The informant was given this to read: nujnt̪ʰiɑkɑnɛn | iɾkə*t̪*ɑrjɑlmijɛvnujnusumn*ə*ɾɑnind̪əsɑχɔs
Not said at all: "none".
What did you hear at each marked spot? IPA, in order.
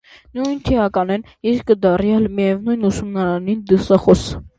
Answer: d̪, ɑ

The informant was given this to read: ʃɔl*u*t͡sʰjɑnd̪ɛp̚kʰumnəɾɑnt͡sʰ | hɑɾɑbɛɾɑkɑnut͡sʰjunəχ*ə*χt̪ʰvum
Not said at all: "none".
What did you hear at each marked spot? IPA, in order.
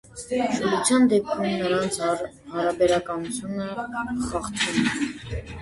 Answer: u, ɑ

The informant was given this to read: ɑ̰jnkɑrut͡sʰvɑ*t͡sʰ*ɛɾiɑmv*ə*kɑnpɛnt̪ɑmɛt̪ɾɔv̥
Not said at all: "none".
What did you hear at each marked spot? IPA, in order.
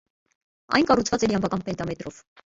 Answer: t͡s, ɑ

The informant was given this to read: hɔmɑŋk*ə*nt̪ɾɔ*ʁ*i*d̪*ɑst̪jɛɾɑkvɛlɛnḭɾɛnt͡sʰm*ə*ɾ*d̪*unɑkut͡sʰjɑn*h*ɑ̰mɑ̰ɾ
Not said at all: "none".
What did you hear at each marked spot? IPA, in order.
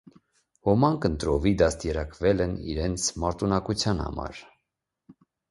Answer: ə, v, d̪, ɑ, t̪, h

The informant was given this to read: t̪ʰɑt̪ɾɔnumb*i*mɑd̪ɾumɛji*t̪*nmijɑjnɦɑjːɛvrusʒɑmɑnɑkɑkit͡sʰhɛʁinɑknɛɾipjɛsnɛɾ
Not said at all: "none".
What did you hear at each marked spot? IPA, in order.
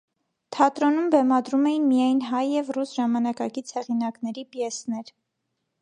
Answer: ɛ, none

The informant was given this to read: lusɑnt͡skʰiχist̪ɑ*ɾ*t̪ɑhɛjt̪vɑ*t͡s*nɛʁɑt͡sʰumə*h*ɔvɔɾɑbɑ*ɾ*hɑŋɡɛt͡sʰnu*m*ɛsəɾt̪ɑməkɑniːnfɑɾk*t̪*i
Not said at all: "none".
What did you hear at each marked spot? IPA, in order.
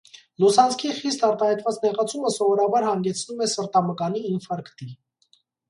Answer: ɾ, t͡s, s, ɾ, m, t̪

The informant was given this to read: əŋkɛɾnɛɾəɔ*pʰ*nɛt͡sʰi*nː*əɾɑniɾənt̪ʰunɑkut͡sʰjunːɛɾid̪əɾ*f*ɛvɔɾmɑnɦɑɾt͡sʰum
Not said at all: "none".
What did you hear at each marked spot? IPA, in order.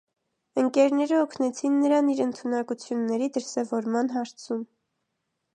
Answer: kʰ, nː, s

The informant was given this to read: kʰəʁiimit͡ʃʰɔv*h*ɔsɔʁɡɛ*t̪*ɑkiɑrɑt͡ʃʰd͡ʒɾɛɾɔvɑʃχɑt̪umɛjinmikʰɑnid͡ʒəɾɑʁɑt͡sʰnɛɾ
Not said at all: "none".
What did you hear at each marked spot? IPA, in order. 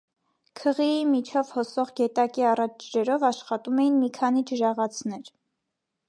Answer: h, t̪

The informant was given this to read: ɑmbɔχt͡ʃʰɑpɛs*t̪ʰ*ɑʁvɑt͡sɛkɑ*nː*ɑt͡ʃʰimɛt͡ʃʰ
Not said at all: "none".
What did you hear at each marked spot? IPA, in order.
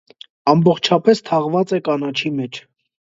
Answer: t̪ʰ, n

